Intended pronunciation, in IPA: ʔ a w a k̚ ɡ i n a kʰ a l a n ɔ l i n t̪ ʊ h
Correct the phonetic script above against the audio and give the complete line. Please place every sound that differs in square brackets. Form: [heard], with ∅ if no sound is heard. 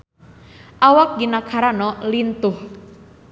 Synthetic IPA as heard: ʔ a w a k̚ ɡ i n a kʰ a [ɾ] a n ɔ l i n t̪ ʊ h